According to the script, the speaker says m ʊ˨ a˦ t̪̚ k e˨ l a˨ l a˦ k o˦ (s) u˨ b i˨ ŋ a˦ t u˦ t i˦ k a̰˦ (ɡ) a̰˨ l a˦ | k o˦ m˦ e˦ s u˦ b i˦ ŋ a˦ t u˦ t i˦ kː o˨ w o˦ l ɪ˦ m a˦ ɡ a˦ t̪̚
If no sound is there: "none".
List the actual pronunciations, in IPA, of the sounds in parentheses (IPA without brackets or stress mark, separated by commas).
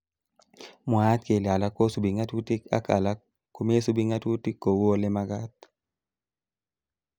s, k